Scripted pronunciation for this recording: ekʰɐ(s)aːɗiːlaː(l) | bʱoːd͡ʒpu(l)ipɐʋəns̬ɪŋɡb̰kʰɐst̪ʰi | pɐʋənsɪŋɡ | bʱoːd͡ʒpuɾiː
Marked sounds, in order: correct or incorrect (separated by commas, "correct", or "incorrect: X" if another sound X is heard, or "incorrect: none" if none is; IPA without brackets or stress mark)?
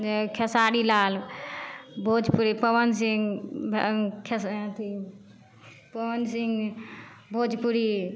correct, correct, incorrect: ɾ